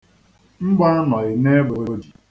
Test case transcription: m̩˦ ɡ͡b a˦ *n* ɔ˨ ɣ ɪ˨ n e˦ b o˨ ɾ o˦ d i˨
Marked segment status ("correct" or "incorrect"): correct